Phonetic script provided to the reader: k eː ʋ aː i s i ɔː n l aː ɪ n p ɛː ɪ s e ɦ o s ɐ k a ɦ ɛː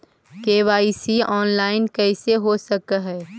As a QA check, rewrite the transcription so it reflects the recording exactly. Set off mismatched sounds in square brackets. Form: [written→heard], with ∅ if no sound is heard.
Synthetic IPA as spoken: k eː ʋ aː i s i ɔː n l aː ɪ n [p→k] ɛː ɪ s e ɦ o s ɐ k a ɦ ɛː